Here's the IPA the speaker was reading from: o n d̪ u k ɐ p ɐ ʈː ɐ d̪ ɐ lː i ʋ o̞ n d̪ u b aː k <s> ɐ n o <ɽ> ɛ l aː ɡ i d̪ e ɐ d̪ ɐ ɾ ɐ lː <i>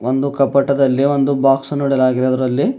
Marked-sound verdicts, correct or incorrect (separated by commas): correct, correct, correct